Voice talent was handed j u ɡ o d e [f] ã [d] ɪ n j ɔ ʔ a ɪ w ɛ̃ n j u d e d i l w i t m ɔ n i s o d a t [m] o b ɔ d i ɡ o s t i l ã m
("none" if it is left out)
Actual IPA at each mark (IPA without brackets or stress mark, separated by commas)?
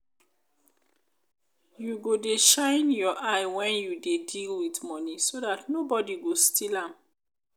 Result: ʃ, none, n